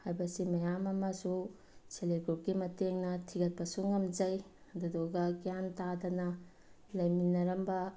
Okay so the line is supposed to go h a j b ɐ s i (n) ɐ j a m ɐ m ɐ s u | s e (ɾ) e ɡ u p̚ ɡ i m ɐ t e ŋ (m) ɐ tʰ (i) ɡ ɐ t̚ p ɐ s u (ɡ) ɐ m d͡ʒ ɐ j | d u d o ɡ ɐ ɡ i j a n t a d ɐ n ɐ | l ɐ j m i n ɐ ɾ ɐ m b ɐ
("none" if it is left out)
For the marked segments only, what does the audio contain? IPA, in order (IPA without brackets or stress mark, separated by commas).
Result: m, l, n, i, ŋ